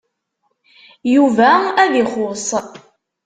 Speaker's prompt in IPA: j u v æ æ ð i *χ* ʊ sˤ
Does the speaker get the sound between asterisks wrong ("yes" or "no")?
no